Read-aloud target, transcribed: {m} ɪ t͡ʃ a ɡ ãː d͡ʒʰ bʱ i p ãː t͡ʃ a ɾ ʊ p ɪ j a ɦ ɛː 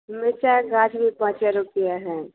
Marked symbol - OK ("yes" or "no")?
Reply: yes